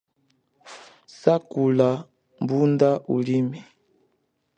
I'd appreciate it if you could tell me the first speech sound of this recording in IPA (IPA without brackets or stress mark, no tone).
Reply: s